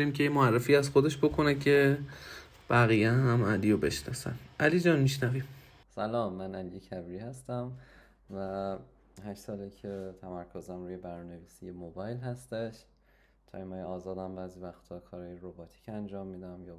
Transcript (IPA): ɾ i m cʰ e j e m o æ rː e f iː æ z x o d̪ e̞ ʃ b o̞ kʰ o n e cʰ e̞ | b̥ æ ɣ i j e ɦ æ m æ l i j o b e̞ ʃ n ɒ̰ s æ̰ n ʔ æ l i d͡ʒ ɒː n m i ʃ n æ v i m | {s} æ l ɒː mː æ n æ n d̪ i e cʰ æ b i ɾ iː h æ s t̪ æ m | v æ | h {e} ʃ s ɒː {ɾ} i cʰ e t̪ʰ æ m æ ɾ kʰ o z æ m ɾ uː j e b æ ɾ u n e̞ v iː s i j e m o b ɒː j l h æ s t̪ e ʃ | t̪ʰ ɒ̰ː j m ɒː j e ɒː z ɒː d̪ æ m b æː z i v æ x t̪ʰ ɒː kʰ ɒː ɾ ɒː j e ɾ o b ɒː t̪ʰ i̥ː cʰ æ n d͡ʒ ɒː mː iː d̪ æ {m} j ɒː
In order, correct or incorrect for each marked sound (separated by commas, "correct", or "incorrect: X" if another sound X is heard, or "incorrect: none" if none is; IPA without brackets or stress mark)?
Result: correct, incorrect: æ, incorrect: l, correct